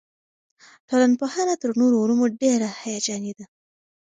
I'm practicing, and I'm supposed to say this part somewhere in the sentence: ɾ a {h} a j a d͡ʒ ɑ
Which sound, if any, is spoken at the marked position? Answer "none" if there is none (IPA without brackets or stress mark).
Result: h